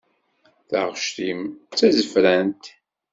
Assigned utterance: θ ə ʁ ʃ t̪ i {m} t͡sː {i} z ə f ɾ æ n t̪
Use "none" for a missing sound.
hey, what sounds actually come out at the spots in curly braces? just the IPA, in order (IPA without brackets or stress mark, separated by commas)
m, æ